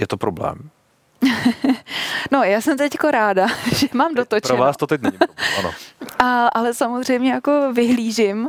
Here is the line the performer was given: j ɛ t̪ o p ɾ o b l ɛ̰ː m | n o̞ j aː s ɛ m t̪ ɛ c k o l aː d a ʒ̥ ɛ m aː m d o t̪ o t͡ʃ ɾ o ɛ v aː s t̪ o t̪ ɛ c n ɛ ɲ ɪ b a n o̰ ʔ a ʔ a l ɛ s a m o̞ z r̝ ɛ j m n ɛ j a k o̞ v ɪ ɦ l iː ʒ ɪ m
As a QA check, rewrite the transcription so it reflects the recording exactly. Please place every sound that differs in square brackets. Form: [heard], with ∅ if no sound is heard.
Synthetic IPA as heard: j ɛ t̪ o p ɾ o b l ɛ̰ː m | n o̞ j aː s ɛ m t̪ ɛ c k o [ɾ] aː d a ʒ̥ ɛ m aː m d o t̪ o t͡ʃ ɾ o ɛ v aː s t̪ o t̪ ɛ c n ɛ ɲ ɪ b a n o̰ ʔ a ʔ a l ɛ s a m o̞ z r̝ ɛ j m [ɲ] ɛ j a k o̞ v ɪ ɦ l iː ʒ ɪ m